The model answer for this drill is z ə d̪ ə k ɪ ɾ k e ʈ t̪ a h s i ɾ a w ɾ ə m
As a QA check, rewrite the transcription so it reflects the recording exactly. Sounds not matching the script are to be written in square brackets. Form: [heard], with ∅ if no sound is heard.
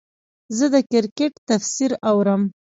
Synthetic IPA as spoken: z ə d̪ ə k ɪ ɾ k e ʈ t̪ a [f] s i ɾ a w ɾ ə m